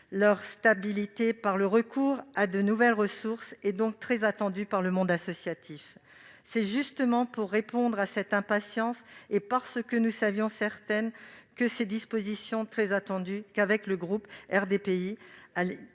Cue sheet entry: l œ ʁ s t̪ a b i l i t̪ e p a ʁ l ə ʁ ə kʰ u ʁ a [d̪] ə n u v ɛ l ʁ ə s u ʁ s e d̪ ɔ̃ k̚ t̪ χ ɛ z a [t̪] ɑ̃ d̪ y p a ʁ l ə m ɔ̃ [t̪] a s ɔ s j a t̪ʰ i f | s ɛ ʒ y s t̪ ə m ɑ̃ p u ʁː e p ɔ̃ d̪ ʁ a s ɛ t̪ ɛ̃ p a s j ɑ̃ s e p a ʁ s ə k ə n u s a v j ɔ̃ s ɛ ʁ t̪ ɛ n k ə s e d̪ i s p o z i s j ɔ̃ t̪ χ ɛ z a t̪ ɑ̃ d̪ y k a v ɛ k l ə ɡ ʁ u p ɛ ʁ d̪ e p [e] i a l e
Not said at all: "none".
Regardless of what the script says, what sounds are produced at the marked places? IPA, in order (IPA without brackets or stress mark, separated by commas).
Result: d̪, t̪, d̪, e